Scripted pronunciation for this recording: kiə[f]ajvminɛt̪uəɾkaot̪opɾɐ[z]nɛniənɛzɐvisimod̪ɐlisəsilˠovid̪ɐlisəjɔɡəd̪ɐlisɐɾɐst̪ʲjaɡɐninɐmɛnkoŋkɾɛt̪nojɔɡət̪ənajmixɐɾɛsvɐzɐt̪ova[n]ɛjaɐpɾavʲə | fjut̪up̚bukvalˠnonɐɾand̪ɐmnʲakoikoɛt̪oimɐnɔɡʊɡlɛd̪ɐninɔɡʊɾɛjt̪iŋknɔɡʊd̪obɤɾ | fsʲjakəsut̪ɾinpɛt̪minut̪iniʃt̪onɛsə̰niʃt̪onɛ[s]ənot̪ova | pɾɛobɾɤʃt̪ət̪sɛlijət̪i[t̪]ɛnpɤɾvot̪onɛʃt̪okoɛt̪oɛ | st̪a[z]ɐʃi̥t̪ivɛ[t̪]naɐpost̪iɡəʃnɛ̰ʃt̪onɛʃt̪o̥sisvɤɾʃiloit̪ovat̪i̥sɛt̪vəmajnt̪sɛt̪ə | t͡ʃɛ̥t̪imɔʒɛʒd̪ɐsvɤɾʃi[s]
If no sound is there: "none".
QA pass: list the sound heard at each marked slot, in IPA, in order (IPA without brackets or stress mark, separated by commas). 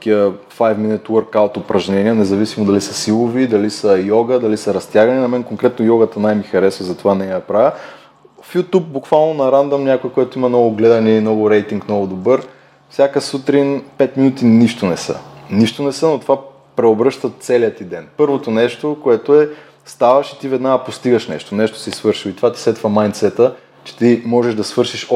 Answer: f, ʒ, n, s, d̪, v, d̪, ʃ